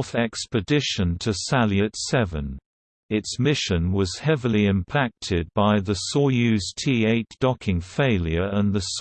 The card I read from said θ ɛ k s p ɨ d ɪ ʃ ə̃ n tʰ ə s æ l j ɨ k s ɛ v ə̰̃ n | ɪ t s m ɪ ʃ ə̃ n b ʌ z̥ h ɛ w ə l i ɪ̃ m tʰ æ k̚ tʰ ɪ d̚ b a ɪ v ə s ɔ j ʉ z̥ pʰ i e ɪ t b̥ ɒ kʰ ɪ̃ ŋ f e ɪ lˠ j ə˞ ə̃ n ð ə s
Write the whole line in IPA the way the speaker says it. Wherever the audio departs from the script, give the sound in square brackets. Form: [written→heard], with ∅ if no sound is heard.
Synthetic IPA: θ ɛ k s p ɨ d ɪ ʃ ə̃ n tʰ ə s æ l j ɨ [k→t] s ɛ v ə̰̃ n | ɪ t s m ɪ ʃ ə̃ n [b→w] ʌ z̥ h ɛ [w→v] ə l i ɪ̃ m [tʰ→pʰ] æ k̚ tʰ ɪ d̚ b a ɪ [v→ð] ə s ɔ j ʉ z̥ [pʰ→tʰ] i e ɪ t [b̥→d̥] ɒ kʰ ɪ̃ ŋ f e ɪ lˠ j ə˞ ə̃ n ð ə s